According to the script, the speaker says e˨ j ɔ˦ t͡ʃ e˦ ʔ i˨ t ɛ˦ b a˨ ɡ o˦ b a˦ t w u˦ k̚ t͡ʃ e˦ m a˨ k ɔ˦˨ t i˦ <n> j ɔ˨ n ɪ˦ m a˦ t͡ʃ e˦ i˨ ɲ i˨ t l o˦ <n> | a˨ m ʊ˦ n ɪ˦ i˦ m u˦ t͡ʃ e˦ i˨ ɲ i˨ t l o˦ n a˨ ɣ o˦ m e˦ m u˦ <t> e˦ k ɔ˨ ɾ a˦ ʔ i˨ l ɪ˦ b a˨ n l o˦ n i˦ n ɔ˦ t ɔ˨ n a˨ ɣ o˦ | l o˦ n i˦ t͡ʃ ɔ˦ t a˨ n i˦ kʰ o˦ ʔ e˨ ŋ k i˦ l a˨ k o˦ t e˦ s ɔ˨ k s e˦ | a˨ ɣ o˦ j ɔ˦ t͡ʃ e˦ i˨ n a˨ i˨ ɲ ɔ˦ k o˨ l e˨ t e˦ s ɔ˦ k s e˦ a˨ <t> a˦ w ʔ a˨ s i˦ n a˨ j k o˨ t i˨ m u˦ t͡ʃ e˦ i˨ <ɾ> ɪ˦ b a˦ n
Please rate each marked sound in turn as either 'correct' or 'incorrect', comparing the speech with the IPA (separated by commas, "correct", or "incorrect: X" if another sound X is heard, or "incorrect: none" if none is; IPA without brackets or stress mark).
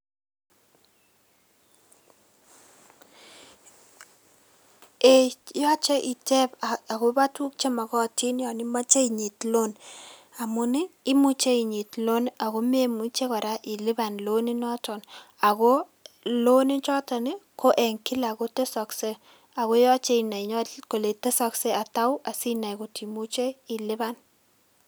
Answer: correct, correct, incorrect: t͡ʃ, correct, incorrect: l